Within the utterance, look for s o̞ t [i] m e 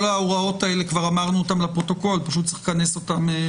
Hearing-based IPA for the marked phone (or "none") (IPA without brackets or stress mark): a